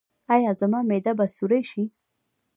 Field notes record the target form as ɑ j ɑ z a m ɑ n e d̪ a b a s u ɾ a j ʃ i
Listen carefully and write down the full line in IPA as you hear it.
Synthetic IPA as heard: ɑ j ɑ z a m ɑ m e d̪ a b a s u ɾ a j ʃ i